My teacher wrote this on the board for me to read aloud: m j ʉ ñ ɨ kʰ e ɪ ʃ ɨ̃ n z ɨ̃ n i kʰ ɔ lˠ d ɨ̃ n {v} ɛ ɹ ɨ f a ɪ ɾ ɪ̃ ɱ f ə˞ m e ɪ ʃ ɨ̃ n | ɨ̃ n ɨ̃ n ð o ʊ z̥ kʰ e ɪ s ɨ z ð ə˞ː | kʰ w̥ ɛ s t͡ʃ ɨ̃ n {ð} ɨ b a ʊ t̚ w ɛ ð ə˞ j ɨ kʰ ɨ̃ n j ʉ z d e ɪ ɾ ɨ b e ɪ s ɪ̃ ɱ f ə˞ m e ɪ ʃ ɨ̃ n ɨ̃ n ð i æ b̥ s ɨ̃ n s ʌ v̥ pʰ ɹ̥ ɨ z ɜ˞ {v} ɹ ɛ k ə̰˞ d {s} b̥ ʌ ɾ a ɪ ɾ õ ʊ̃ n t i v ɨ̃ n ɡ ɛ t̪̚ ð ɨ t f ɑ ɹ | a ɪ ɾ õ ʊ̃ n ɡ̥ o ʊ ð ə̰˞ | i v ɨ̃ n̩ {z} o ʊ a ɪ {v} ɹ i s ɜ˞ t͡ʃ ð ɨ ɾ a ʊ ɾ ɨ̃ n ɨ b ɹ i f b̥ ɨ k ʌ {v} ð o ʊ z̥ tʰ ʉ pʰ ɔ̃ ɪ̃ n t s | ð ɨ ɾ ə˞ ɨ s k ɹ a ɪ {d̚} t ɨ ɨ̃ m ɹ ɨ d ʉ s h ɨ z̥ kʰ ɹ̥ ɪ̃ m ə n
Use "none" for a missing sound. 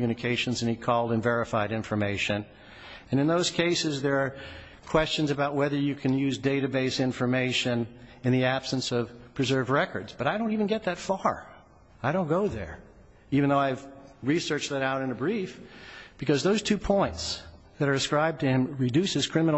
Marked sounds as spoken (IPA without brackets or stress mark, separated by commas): v, z, v, z, ð, v, z, b̚